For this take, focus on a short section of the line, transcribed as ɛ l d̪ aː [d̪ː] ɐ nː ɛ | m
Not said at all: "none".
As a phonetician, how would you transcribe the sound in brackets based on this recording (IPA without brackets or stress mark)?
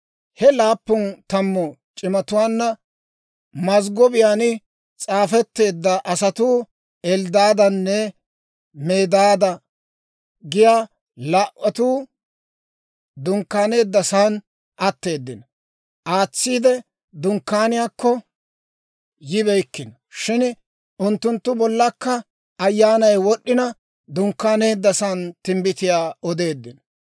d̪